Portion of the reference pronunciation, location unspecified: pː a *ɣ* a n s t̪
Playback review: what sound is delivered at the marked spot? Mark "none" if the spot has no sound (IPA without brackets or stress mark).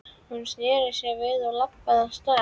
ð